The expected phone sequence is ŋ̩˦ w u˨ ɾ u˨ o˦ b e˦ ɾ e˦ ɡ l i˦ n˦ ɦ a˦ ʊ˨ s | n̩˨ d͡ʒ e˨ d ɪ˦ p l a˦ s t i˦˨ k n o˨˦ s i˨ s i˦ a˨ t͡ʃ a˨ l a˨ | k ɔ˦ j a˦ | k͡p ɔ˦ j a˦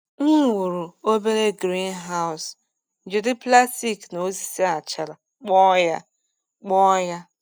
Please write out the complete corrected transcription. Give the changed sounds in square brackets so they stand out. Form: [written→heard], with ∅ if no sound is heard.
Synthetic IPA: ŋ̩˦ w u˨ ɾ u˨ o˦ b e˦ ɾ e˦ ɡ [l→ɾ] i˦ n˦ ɦ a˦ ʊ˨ s | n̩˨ d͡ʒ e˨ d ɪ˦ p l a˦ s t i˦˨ k n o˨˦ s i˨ s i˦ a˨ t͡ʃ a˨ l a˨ | [k→k͡p] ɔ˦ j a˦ | k͡p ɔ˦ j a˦